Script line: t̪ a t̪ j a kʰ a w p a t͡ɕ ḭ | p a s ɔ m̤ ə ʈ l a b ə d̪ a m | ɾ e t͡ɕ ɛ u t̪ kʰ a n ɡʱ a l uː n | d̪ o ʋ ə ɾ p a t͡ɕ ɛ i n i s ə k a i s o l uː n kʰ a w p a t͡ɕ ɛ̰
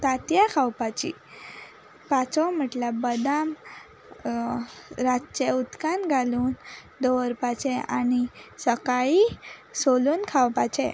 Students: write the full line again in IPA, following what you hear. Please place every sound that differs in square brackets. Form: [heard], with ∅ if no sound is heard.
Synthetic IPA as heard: t̪ a t̪ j a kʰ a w p a t͡ɕ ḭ | p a [t͡s] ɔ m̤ ə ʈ l a b ə d̪ a m | ɾ [a] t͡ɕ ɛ u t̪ [k] a n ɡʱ a l uː n | d̪ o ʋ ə ɾ p a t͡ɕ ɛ [a] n i s ə k a i s o l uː n kʰ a w p a t͡ɕ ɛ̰